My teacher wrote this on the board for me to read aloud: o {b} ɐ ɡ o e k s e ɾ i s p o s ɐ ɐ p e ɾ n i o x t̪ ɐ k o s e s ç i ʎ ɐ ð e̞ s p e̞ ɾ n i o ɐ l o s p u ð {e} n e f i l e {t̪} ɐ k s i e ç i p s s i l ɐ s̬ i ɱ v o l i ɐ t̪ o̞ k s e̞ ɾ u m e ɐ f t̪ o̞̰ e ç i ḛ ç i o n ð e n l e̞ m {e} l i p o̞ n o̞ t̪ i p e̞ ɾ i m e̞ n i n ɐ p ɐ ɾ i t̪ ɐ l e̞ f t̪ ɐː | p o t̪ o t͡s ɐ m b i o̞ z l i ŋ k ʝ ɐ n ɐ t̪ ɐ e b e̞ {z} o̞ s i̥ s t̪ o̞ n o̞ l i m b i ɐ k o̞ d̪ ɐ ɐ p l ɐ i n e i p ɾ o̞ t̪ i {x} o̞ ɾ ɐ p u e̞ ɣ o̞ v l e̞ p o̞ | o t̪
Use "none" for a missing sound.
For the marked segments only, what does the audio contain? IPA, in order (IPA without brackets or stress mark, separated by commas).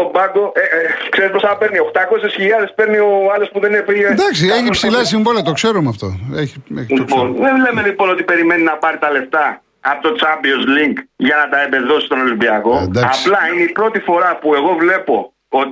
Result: b, e, d̪, e, ð, f